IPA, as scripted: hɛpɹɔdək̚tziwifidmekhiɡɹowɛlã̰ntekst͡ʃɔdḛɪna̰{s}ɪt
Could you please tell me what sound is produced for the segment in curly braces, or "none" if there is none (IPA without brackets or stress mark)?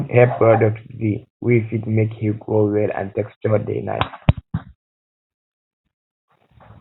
none